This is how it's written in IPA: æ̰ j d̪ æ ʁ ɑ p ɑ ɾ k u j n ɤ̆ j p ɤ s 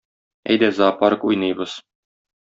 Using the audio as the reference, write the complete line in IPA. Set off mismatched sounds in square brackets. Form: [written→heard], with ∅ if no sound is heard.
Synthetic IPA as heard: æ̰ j d̪ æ [ʁ→z] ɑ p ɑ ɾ k u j n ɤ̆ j [p→b] ɤ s